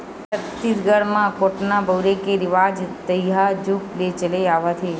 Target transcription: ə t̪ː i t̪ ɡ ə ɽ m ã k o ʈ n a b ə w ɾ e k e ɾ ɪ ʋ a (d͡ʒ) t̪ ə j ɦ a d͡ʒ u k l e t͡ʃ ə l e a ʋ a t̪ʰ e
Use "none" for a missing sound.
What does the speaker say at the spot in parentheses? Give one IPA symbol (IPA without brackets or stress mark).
d͡ʒ